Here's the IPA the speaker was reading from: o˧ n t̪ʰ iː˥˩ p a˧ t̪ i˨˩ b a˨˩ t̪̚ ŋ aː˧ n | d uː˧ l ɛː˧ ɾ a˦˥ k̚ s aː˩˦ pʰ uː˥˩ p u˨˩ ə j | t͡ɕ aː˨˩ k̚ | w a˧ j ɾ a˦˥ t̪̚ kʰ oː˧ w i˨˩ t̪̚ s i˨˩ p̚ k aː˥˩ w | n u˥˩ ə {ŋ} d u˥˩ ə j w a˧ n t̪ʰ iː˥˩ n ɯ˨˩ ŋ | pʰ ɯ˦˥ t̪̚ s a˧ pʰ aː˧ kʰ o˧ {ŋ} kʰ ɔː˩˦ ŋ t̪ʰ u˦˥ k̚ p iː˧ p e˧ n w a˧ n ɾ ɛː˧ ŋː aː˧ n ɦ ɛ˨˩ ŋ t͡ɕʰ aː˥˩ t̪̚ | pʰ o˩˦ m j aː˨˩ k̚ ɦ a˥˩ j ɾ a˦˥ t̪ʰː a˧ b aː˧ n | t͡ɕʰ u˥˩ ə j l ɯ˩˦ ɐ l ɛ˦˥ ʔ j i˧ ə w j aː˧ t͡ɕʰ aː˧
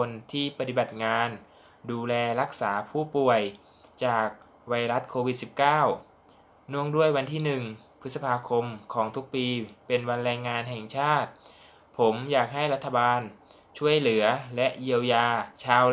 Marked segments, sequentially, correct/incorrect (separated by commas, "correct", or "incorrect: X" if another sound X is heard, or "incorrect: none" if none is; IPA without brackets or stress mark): correct, incorrect: m